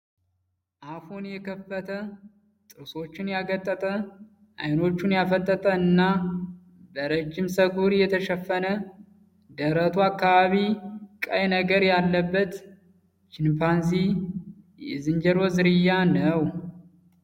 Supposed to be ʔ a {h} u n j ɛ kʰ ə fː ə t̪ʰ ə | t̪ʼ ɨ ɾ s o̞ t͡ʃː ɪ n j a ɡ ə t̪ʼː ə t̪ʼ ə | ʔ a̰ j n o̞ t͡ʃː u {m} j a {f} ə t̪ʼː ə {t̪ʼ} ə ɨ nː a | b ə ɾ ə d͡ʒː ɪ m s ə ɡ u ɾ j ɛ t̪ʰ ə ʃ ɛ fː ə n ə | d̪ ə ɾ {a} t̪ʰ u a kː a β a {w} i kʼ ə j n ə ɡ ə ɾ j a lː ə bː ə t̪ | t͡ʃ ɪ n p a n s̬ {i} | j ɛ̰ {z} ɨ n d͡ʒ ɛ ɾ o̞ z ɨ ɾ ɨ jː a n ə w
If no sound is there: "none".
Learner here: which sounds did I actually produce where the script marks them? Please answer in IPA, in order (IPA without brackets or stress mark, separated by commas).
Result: f, n, f, t̪ʼ, ə, β, i, z